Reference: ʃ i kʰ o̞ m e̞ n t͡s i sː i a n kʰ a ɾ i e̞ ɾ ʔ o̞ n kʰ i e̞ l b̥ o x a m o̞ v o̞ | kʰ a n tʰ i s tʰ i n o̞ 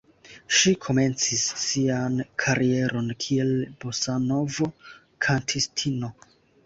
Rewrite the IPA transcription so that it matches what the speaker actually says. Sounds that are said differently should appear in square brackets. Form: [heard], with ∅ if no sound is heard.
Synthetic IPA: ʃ i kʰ o̞ m e̞ n t͡s i sː i a n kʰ a ɾ i e̞ ɾ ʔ o̞ n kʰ i e̞ l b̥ o [s] a [n] o̞ v o̞ | kʰ a n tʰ i s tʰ i n o̞